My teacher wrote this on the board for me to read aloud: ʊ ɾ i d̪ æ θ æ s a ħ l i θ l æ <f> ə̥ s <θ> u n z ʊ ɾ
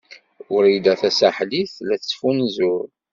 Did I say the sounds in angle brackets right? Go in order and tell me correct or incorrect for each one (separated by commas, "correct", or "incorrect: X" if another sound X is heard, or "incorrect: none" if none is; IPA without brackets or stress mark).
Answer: incorrect: θ, incorrect: f